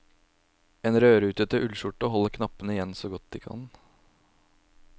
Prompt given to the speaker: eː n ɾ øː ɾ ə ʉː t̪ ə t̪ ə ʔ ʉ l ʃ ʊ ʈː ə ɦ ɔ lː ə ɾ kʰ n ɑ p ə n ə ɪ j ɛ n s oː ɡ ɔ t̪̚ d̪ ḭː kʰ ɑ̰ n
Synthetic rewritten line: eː n ɾ øː ɾ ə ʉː t̪ ə t̪ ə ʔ ʉ l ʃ ʊ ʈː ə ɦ ɔ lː ə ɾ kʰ n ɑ p ə n ə ɪ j ɛ n s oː ɡ ɔ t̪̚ d̪ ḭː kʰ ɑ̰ n